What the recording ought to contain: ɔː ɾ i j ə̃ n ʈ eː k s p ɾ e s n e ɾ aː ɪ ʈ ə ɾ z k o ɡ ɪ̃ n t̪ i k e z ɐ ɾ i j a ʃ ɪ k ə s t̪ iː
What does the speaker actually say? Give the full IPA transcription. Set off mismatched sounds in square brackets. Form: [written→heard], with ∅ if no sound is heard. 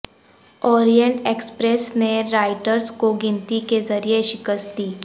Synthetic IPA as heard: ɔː ɾ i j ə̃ [n→ɳ] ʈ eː k s p ɾ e s n e ɾ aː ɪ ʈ ə ɾ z k o ɡ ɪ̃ n t̪ i k e z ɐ ɾ i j [a→e] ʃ ɪ k ə s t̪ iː